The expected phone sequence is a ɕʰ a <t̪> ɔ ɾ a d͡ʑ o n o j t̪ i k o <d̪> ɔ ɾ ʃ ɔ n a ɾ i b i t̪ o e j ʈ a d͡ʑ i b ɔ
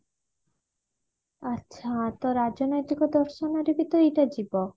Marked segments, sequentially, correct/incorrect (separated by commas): correct, correct